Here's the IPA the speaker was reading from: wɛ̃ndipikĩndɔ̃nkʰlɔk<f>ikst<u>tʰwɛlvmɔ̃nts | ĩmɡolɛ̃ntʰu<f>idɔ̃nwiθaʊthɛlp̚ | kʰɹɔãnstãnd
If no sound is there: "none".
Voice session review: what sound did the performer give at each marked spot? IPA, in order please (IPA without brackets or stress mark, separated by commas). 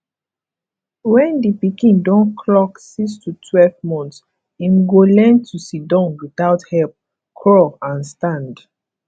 s, u, s